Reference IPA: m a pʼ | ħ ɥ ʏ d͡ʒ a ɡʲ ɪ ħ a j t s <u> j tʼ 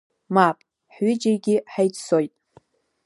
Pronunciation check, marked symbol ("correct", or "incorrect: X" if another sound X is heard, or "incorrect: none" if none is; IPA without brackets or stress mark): incorrect: o